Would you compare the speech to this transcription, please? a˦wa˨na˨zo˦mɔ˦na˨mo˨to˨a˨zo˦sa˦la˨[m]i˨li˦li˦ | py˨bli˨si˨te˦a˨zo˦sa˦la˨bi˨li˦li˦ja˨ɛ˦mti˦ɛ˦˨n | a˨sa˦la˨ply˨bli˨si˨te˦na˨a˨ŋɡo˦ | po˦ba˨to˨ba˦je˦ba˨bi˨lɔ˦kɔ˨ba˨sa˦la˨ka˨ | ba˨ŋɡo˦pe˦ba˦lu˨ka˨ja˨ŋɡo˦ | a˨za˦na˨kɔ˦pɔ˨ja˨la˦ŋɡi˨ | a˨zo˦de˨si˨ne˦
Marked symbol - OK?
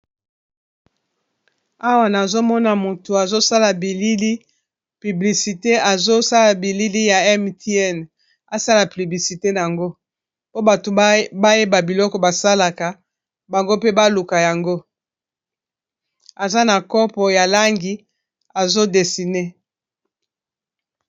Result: no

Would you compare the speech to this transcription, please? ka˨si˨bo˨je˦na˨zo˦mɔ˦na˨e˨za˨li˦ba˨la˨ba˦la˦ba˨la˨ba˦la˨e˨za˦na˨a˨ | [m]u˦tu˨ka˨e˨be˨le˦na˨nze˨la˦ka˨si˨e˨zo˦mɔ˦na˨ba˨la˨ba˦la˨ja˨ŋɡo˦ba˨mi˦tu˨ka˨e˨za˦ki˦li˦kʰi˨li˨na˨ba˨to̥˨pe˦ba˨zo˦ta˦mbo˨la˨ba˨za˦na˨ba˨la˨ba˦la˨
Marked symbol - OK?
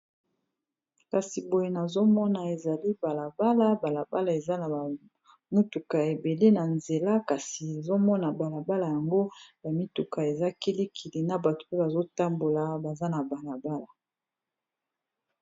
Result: yes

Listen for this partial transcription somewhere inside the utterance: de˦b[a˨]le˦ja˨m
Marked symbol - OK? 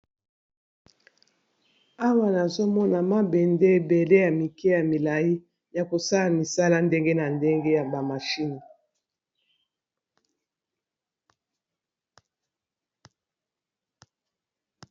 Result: no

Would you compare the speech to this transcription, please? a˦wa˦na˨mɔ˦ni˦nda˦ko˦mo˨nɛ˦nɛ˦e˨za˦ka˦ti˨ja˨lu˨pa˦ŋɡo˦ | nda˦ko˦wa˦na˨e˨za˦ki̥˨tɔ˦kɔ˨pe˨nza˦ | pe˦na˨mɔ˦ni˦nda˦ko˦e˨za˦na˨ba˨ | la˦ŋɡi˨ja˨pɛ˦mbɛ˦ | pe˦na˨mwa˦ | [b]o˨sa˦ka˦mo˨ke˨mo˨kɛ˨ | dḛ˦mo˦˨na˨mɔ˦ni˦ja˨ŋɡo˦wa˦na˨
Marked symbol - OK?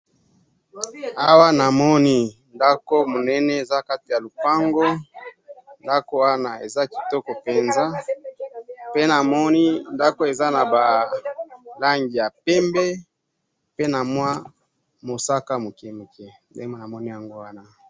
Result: no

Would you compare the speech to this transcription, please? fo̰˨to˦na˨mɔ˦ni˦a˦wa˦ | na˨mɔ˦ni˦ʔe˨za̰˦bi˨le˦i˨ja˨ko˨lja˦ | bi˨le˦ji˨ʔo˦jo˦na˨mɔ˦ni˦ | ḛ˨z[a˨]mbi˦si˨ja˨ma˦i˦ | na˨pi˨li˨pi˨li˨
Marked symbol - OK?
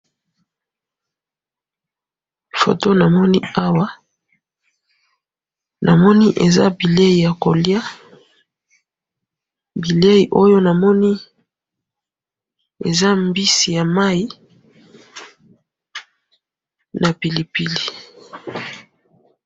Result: no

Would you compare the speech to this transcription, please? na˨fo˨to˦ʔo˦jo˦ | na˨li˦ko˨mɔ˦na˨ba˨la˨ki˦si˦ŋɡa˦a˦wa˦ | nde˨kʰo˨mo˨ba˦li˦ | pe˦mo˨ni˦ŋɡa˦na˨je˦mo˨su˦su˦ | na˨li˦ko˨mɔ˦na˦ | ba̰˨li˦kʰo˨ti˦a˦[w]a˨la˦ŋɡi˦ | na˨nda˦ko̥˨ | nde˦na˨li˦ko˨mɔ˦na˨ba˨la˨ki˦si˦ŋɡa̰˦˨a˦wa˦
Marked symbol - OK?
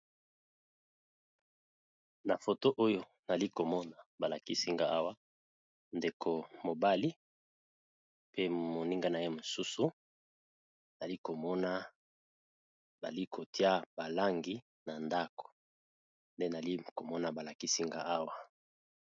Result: no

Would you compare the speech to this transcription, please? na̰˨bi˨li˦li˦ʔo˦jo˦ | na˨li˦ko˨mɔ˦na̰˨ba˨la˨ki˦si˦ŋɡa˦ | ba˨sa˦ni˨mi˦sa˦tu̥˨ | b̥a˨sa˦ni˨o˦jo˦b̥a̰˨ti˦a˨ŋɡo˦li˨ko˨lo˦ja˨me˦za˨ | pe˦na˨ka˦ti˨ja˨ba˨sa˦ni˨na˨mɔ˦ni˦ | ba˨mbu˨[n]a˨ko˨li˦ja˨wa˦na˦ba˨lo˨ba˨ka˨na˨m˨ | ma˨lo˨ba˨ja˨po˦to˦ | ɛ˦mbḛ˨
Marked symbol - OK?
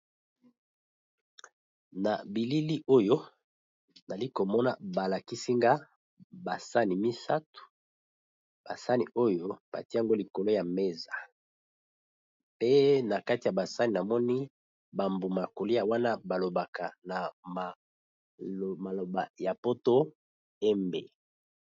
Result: no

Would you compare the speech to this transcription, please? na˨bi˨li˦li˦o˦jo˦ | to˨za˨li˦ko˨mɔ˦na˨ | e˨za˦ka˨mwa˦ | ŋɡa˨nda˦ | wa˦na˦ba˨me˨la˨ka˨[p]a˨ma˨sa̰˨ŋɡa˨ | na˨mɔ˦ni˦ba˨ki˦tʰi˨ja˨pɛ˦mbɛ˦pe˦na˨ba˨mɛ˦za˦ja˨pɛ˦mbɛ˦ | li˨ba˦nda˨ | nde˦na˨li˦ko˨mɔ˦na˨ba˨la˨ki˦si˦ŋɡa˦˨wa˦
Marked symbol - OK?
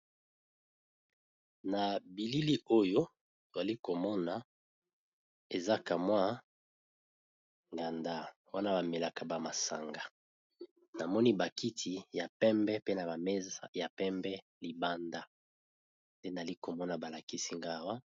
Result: no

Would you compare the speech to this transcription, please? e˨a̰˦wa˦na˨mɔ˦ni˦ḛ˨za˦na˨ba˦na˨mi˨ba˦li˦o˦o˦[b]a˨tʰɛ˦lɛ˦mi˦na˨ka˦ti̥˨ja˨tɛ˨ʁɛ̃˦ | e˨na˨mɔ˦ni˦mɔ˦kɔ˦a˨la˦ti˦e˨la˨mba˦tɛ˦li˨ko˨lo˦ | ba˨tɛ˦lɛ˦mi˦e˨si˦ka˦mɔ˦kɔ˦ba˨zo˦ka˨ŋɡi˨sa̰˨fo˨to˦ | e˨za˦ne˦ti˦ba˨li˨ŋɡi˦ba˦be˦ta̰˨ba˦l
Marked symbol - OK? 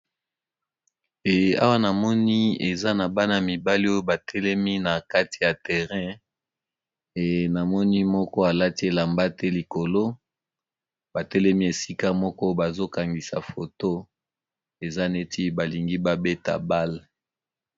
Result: yes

